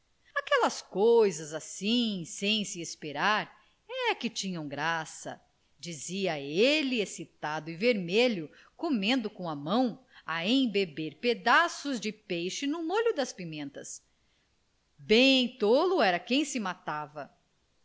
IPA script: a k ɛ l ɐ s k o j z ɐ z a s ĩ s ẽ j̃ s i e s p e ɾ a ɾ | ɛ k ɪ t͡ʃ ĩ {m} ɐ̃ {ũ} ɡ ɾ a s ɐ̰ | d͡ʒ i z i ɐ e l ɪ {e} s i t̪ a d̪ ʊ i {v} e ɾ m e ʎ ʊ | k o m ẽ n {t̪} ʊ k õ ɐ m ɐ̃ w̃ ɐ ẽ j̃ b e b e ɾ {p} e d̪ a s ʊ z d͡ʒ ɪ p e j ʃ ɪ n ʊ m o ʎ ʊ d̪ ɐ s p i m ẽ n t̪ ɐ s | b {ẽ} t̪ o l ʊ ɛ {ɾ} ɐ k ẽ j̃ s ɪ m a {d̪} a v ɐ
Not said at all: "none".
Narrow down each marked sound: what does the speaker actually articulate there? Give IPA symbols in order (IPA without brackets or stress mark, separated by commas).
ɲ, w̃, e, v, d̪, p, ẽ, ɾ, t̪